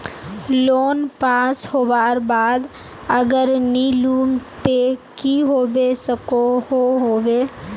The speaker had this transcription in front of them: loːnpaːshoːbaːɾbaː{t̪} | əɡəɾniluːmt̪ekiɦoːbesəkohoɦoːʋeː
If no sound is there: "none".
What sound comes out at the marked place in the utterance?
d̪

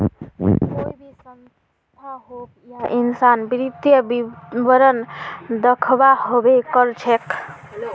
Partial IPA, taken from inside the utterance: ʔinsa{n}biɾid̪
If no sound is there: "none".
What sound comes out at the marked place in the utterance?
n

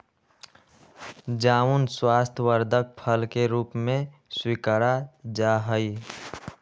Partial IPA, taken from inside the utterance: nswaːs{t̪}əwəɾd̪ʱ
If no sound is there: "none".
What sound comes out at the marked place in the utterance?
t̪ʰ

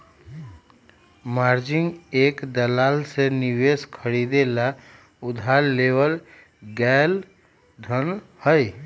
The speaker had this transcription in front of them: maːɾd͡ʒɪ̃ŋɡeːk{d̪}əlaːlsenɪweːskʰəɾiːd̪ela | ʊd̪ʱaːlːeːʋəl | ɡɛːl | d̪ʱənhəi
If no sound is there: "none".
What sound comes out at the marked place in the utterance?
d̪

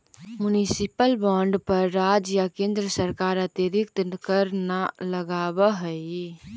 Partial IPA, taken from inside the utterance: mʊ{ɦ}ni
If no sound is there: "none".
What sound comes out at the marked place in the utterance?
none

